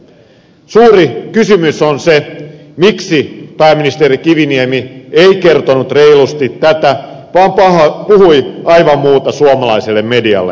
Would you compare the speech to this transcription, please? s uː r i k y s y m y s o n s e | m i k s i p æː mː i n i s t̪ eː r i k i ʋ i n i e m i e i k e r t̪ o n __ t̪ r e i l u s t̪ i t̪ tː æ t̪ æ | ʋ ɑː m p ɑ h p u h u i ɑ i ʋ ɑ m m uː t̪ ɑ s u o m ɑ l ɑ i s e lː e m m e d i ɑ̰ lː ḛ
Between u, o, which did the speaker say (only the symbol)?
u